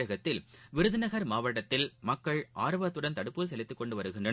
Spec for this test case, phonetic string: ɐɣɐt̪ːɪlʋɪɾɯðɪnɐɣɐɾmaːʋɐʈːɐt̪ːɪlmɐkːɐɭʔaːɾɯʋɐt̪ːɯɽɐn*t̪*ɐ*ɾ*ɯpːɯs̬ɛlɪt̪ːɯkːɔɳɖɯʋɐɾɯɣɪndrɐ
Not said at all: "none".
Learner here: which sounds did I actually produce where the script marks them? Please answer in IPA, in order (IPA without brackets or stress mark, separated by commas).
t̪, ɽ